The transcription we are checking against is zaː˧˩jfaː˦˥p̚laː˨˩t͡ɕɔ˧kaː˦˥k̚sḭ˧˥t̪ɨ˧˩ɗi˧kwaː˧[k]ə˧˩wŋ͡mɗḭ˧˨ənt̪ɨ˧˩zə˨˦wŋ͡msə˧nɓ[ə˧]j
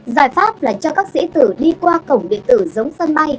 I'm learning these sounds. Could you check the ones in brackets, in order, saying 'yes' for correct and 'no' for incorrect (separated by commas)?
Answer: yes, no